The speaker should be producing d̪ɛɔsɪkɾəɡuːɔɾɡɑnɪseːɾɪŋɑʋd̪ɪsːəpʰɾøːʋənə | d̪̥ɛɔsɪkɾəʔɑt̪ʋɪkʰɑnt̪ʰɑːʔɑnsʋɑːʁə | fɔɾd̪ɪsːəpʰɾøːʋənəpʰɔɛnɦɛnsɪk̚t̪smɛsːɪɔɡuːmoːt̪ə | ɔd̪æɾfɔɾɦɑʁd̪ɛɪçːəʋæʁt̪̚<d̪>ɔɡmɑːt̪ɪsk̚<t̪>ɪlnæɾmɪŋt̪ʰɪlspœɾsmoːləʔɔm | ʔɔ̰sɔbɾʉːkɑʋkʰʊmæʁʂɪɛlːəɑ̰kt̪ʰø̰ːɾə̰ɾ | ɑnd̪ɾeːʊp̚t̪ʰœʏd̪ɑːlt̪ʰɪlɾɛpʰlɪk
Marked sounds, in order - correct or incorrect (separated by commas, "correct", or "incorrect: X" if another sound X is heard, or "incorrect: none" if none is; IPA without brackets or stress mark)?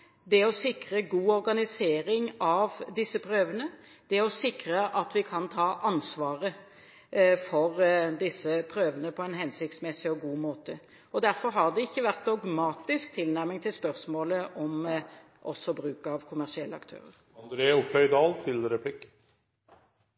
correct, incorrect: t̪ʰ